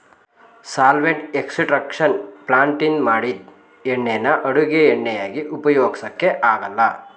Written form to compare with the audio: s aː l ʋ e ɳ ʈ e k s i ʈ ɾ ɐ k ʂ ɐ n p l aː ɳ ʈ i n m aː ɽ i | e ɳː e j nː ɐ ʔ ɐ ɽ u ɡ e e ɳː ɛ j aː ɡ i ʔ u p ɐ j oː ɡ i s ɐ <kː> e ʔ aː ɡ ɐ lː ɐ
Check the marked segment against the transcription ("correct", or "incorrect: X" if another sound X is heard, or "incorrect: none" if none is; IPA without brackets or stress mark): correct